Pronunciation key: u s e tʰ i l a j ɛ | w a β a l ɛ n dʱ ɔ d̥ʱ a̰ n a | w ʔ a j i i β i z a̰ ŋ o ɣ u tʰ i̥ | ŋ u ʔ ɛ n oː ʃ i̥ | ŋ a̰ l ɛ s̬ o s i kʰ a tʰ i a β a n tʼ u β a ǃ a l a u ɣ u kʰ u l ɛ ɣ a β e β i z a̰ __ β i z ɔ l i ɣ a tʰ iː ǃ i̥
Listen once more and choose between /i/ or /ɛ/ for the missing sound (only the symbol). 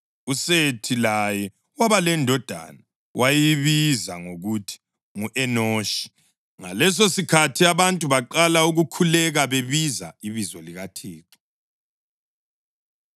i